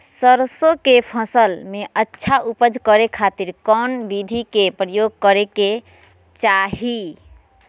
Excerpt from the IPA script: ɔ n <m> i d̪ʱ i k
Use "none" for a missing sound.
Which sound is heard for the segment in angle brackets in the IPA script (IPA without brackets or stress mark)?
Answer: b